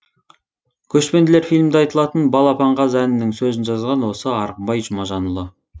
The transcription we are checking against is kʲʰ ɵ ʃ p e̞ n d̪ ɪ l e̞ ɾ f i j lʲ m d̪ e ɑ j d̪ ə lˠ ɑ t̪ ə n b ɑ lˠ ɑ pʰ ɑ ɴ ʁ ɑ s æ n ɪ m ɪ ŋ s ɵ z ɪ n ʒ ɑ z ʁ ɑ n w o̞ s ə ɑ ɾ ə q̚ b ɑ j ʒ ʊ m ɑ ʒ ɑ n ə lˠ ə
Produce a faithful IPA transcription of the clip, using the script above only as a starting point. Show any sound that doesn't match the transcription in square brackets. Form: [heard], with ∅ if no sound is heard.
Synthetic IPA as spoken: kʲʰ ɵ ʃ p e̞ n d̪ ɪ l e̞ ɾ f i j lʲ m d̪ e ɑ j [t̪] ə lˠ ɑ t̪ ə n b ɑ lˠ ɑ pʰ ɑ ɴ ʁ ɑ [z] æ n ɪ [n] ɪ ŋ s ɵ z ɪ n ʒ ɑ z ʁ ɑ n w o̞ s ə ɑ ɾ ə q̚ b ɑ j ʒ ʊ m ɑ ʒ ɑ n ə lˠ ə